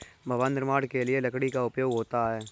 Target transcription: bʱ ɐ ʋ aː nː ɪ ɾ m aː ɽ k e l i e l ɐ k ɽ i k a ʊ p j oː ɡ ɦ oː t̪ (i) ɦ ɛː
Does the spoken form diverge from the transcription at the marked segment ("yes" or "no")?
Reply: yes